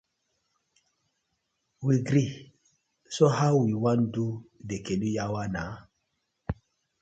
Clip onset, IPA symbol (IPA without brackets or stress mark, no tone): w